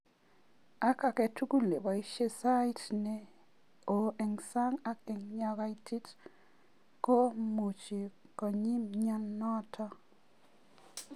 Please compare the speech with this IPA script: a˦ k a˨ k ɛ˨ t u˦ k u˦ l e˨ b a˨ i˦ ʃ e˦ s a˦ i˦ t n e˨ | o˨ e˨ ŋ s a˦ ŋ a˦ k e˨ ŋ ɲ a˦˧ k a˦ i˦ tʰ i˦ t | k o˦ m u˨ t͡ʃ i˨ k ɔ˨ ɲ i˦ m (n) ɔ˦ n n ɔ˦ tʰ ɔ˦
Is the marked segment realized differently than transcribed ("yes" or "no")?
yes